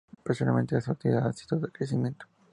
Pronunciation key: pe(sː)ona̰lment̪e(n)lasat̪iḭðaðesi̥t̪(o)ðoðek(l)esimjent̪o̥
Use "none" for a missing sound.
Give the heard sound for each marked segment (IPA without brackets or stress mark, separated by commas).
s, none, o, ɾ